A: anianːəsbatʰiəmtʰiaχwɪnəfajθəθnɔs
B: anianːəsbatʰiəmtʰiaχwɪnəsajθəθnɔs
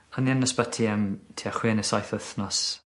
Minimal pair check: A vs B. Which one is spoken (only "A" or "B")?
B